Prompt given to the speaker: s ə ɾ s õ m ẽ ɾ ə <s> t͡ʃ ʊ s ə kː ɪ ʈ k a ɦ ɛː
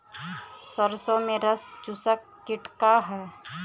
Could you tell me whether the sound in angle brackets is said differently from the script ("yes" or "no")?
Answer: no